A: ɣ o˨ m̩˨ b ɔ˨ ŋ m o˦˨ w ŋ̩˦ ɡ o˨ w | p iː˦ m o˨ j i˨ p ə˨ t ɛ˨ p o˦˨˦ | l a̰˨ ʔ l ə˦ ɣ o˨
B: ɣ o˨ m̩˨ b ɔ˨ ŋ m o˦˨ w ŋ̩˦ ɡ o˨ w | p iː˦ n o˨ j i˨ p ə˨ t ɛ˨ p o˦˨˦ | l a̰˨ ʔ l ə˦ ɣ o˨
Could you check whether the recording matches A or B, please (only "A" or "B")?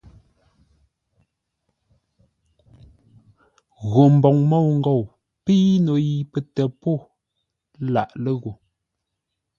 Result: B